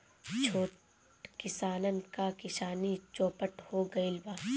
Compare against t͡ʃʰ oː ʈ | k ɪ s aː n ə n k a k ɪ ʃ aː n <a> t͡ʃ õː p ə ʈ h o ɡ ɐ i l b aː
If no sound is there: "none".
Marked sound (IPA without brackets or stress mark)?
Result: i